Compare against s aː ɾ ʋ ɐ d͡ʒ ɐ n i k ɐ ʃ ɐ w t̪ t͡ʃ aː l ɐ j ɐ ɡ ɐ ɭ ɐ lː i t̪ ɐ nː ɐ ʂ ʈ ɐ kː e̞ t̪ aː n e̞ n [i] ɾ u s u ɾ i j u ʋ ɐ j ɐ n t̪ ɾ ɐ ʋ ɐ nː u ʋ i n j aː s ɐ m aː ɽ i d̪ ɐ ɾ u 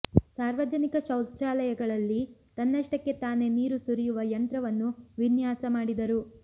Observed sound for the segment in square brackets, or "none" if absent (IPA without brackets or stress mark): iː